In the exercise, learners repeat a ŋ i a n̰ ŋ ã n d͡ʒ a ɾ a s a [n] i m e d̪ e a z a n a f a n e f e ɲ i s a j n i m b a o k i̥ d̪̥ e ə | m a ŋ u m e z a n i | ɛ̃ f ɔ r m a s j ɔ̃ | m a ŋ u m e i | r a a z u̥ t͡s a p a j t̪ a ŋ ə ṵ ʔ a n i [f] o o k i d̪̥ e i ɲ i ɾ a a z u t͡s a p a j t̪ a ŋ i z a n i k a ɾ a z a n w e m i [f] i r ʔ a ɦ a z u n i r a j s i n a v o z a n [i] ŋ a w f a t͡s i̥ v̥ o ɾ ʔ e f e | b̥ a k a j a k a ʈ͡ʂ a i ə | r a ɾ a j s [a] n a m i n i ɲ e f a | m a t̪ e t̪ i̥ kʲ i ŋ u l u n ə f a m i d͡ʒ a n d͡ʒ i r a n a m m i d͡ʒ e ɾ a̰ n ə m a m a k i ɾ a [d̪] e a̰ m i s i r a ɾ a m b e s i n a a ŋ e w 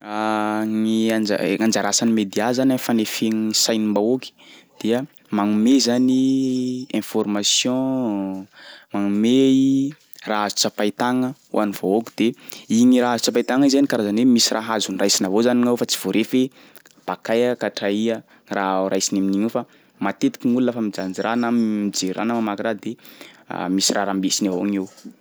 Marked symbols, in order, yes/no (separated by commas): yes, no, no, yes, no, yes